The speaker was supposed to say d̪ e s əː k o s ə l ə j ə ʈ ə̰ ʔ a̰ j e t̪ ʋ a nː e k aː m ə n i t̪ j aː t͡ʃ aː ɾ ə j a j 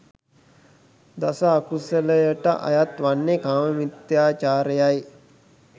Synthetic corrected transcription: d̪ a s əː k u s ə l ə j ə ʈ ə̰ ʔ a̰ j a t̪ ʋ a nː e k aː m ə m i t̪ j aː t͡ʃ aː ɾ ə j a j